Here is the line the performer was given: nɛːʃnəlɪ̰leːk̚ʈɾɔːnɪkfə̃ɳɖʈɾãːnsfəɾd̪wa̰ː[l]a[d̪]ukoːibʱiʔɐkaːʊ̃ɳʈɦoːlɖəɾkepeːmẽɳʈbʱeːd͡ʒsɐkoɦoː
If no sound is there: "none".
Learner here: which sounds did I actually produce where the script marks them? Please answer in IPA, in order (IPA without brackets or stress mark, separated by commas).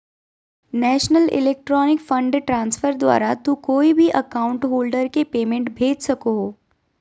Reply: ɾ, t̪